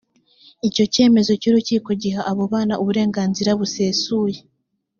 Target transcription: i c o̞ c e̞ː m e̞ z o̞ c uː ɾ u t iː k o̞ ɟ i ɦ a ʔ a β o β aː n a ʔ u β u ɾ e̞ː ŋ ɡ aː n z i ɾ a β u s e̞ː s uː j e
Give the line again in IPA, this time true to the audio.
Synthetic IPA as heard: i c o̞ c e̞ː m e̞ z o̞ c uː ɾ u c iː k o̞ ɟ i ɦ a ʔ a β o β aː n a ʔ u β u ɾ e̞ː ŋ ɡ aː n z i ɾ a β u s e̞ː s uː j e